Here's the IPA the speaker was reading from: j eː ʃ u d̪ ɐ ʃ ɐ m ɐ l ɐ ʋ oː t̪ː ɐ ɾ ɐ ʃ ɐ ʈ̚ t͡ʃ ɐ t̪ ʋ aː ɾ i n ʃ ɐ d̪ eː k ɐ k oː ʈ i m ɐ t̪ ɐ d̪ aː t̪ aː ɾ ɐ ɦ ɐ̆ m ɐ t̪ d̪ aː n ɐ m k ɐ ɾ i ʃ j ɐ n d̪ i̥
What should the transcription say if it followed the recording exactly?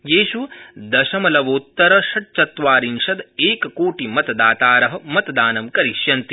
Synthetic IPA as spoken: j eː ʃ u d̪ ɐ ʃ ɐ m ɐ l ɐ ʋ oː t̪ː ɐ ɾ ɐ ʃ ɐ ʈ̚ t͡ʃ ɐ t̪ ʋ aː ɾ i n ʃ ɐ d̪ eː k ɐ k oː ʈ i m ɐ t̪ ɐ d̪ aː t̪ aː ɾ ɐ ɦ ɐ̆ m ɐ t̪ d̪ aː n ɐ m k ɐ ɾ i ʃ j ɐ n t̪ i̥

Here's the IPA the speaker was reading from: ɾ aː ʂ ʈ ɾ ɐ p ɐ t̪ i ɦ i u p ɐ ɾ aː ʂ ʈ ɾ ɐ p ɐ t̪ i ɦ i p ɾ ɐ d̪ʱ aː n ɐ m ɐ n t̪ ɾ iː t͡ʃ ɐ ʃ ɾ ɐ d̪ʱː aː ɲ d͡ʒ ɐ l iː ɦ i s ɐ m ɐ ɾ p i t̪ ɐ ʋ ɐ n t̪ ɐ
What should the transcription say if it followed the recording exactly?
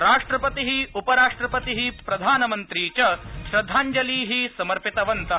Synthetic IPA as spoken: ɾ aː ʂ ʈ ɾ ɐ p ɐ t̪ i ɦ i u p ɐ ɾ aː ʂ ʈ ɾ ɐ p ɐ t̪ i ɦ i p ɾ ɐ d̪ʱ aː n ɐ m ɐ n t̪ ɾ iː t͡ʃ ɐ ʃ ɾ ɐ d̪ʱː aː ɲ d͡ʒ ɐ l iː ɦ i s ɐ m ɐ ɾ p i t̪ ɐ ʋ ɐ n t̪ ɐ

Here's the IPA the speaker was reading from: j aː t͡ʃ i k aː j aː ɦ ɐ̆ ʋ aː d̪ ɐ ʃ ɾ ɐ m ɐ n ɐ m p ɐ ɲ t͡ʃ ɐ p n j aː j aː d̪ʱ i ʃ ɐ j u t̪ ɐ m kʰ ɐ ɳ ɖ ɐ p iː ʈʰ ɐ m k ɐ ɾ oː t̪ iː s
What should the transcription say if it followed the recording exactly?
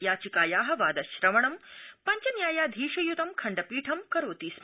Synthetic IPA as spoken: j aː t͡ʃ i k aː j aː ɦ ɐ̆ ʋ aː d̪ ɐ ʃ ɾ ɐ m ɐ ɳ ɐ m p ɐ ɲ t͡ʃ ɐ n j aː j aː d̪ʱ iː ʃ ɐ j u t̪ ɐ m kʰ ɐ ɳ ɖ ɐ p iː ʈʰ ɐ m k ɐ ɾ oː t̪ iː s

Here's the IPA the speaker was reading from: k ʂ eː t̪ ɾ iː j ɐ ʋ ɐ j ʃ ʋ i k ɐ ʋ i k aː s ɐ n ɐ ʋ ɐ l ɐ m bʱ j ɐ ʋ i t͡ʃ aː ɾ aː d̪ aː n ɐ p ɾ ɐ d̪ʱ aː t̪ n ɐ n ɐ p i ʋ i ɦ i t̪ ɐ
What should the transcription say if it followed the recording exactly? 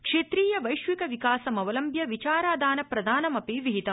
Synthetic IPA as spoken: k ʂ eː t̪ ɾ iː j ɐ ʋ ɐ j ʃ ʋ i k ɐ ʋ i k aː s ɐ m ɐ ʋ ɐ l ɐ m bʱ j ɐ ʋ i t͡ʃ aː ɾ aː d̪ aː n ɐ p ɾ ɐ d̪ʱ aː n ɐ m ɐ p i ʋ i ɦ i t̪ ɐ

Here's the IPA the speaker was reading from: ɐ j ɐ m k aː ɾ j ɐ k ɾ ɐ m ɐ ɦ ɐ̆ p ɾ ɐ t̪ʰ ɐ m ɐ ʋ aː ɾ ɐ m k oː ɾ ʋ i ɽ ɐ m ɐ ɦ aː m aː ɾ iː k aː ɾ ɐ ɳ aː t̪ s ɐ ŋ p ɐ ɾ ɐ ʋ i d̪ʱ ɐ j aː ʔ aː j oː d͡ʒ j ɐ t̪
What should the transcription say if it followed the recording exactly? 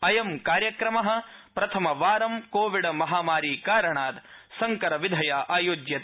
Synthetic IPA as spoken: ɐ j ɐ m k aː ɾ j ɐ k ɾ ɐ m ɐ ɦ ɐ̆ p ɾ ɐ t̪ʰ ɐ m ɐ ʋ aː ɾ ɐ m k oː ʋ i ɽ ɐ m ɐ ɦ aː m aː ɾ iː k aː ɾ ɐ ɳ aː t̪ s ɐ ŋ k ɐ ɾ ɐ ʋ i d̪ʱ ɐ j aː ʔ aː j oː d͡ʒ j ɐ t̪

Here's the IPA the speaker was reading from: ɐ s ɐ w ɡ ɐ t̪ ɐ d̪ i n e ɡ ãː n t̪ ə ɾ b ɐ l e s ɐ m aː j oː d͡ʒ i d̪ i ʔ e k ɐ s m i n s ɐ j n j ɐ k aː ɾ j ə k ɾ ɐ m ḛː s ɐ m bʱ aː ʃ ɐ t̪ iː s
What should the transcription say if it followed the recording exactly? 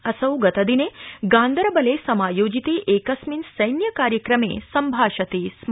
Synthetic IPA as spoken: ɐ s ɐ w ɡ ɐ t̪ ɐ d̪ i n e ɡ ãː n d̪ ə ɾ b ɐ l e s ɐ m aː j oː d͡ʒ i t̪ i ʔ e k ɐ s m i n s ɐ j n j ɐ k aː ɾ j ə k ɾ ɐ m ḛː s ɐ m bʱ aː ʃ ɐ t̪ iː s

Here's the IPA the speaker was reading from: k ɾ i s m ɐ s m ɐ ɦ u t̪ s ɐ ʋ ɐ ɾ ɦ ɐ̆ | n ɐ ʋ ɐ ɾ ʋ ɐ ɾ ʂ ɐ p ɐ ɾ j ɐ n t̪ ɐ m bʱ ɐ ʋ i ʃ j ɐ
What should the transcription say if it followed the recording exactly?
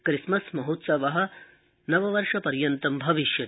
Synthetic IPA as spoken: k ɾ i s m ɐ s m ɐ ɦ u t̪ s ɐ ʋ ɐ ɦ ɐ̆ | n ɐ ʋ ɐ ʋ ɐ ɾ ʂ ɐ p ɐ ɾ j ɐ n t̪ ɐ m bʱ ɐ ʋ i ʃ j ɐ

